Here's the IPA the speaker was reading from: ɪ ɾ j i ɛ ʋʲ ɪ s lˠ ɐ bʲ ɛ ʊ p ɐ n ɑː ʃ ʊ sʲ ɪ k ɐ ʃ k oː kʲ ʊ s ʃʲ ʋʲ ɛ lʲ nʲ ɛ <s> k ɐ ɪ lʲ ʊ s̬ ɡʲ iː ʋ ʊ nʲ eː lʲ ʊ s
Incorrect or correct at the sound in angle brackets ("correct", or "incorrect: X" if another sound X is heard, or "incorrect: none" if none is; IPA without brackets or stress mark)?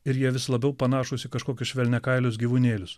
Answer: incorrect: none